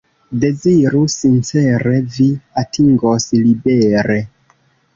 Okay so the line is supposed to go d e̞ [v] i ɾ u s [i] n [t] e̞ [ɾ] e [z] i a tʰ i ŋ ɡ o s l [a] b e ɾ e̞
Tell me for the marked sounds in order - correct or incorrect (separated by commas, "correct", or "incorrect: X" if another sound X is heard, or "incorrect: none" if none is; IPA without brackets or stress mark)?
incorrect: z, correct, incorrect: t͡s, correct, incorrect: v, incorrect: i